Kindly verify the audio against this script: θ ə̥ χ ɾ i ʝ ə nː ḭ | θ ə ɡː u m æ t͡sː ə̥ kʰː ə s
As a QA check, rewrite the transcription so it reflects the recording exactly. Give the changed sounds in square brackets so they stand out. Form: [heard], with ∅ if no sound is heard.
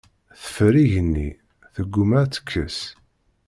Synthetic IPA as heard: θ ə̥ [f] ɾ i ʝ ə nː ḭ | θ ə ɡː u m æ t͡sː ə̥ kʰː ə s